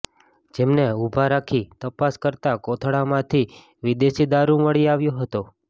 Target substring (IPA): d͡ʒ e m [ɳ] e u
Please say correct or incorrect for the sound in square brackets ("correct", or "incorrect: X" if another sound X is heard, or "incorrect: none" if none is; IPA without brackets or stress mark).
incorrect: n